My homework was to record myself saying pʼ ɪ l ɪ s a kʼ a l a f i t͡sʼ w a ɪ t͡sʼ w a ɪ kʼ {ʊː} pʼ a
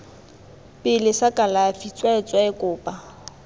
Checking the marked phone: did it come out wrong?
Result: no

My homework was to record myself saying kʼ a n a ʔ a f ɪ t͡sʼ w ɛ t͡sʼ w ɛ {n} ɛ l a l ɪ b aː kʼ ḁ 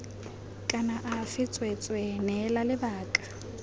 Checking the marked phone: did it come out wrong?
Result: no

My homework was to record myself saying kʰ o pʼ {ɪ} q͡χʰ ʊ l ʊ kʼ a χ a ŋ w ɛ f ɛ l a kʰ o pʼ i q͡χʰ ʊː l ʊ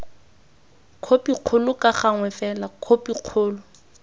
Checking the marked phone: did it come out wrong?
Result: yes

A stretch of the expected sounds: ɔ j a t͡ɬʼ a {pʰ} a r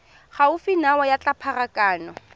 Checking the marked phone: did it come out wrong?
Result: no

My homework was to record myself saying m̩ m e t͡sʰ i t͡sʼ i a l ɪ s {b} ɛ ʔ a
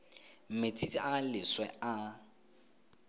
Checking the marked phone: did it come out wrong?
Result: yes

